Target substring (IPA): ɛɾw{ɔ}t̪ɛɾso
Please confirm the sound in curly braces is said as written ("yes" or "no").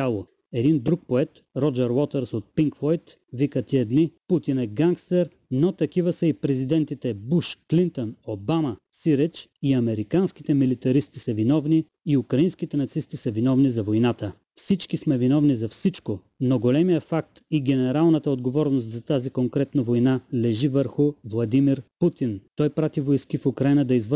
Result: yes